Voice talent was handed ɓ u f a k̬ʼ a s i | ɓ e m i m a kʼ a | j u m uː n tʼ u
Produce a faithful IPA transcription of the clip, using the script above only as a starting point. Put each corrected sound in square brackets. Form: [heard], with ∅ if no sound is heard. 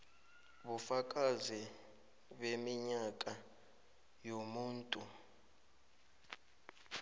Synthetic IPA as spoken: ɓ u f a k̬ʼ a [z] i | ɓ e m i [ɲ] a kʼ a | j [o] m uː n tʼ u